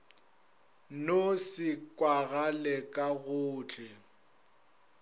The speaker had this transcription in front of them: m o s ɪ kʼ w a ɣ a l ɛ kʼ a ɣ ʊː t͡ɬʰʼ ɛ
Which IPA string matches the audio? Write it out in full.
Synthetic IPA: n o s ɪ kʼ w a ɣ a l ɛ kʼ a ɣ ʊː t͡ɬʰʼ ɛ